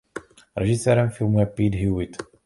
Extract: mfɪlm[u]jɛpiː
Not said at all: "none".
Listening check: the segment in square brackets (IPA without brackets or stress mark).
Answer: u